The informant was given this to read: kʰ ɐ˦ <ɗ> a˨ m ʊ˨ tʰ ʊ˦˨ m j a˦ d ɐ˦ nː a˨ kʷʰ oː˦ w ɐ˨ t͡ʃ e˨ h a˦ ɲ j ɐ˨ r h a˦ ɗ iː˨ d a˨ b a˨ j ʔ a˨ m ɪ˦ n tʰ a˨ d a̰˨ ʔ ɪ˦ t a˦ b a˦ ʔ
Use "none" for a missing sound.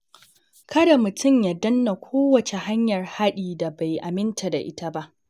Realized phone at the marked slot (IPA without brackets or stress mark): d